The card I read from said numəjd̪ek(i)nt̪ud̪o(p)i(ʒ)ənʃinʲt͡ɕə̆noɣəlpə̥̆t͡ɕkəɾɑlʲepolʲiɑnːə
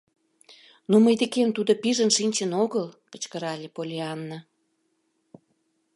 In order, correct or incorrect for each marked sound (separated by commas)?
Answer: incorrect, correct, correct